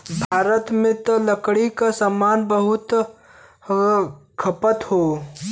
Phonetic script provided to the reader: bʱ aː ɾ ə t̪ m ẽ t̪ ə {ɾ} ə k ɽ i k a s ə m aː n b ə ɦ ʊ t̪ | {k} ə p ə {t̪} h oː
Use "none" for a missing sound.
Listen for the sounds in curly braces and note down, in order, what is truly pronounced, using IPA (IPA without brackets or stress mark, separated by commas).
l, kʰ, t̪